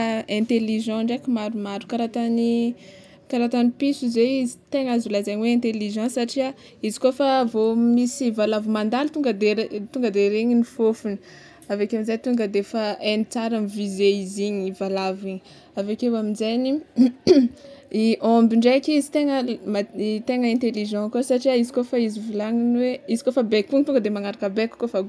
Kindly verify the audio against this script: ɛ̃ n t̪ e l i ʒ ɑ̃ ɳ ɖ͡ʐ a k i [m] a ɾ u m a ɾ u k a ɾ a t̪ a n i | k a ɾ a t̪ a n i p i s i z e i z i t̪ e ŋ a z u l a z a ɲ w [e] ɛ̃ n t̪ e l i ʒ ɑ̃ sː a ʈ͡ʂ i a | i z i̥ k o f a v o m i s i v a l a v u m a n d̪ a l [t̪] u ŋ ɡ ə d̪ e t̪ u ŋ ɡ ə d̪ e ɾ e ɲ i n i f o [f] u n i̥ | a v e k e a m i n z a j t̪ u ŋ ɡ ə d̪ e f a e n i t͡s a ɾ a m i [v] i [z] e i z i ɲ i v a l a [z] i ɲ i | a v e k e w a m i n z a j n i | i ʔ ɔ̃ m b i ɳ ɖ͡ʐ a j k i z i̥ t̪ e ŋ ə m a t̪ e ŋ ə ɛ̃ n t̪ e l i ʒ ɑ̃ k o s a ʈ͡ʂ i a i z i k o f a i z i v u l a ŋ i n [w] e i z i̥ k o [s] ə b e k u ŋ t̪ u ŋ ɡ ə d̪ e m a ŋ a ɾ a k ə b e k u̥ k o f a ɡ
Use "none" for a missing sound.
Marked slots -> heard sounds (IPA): m, e, t̪, f, v, z, v, w, f

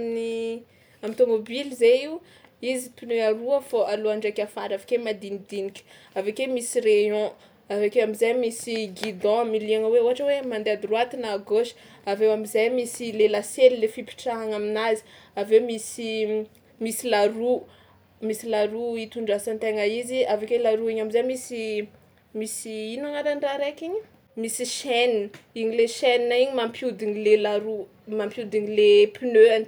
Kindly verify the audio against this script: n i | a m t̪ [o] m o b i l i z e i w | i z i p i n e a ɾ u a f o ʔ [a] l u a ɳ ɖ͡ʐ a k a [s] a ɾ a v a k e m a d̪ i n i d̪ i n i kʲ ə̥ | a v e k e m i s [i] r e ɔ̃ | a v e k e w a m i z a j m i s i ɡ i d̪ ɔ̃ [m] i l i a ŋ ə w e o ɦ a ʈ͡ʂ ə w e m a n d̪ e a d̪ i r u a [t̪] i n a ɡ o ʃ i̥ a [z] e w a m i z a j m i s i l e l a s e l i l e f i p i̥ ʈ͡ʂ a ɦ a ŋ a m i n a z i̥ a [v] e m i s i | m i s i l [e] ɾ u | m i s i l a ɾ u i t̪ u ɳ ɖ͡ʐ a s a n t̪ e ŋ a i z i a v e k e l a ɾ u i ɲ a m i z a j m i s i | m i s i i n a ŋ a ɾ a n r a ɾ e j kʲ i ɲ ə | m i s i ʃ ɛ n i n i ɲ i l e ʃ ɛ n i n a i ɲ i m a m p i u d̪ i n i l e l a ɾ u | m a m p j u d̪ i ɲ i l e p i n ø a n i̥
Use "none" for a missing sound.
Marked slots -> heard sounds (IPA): o, a, f, i, m, t̪, v, v, a

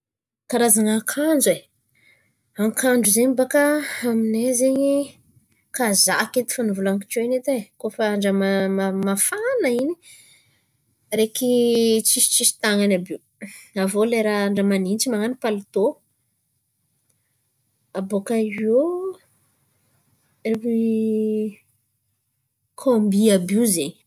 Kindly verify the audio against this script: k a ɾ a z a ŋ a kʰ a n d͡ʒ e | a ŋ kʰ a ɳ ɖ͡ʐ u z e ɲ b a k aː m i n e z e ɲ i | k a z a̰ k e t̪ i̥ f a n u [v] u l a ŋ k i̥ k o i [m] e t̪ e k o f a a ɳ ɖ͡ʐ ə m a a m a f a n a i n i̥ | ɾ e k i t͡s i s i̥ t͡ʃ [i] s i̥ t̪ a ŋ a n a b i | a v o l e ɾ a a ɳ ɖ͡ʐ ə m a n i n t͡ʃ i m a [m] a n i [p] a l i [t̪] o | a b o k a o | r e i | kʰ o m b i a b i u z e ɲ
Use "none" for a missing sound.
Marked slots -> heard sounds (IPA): v, n, i, ŋ, p, t̪

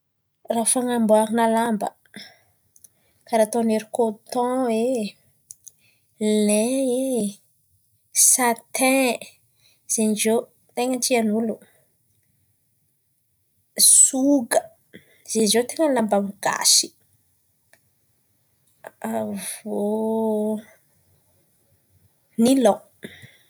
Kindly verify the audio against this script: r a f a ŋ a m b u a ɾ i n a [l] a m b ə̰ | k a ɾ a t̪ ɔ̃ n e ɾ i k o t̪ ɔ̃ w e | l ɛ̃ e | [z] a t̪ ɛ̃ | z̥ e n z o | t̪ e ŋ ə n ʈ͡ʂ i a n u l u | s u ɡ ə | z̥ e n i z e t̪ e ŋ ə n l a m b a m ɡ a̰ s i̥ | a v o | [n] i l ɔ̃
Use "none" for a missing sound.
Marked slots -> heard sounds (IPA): l, s, n

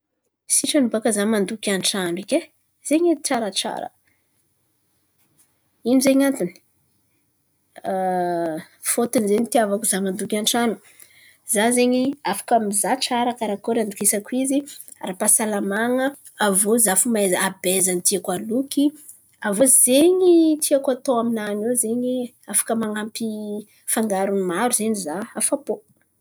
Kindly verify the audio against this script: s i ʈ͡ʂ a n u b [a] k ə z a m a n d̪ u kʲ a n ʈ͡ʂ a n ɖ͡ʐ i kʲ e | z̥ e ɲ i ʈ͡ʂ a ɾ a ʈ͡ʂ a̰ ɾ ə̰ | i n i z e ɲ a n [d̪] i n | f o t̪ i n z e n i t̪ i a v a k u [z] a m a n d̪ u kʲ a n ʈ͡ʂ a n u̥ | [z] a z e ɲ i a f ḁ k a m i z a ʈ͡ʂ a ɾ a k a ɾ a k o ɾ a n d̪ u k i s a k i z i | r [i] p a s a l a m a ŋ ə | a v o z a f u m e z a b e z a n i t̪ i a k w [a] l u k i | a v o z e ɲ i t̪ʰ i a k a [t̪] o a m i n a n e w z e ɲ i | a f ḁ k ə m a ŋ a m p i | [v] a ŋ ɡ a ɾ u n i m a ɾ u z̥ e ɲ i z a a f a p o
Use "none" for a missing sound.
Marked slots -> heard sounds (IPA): a, t̪, z, z, a, a, t̪, f

